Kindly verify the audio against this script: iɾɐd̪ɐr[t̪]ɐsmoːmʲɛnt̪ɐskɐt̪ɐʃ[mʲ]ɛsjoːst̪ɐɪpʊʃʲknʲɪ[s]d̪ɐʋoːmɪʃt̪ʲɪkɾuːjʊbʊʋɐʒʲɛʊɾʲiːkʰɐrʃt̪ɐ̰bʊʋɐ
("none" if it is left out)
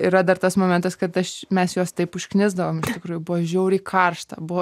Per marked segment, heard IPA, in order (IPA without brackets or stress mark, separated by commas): t̪, mʲ, z